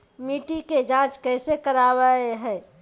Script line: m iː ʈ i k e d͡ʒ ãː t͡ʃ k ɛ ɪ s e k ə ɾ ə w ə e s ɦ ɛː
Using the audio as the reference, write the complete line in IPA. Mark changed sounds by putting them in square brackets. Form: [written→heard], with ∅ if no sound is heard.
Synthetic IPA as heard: m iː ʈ i k e d͡ʒ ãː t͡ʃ k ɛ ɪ s e k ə ɾ [ə→a] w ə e [s→∅] ɦ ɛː